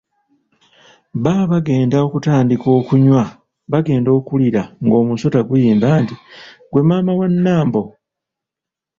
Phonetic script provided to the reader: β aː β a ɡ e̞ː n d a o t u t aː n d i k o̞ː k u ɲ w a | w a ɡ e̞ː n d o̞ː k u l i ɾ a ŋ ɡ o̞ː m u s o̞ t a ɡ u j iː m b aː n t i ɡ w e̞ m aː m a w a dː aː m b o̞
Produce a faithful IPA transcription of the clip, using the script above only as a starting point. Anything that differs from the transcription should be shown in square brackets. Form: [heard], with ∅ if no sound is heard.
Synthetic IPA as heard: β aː β a ɡ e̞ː n d a o [k] u t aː n d i k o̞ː k u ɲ w a | [β] a ɡ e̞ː n d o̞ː k u l i ɾ a ŋ ɡ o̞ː m u s o̞ t a ɡ u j iː m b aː n t i ɡ w e̞ m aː m a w a [nː] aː m b o̞